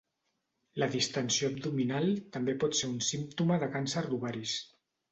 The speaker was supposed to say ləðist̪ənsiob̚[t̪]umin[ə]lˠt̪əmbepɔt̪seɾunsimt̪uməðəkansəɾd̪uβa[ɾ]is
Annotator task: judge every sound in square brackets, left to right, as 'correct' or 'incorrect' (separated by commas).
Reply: incorrect, incorrect, correct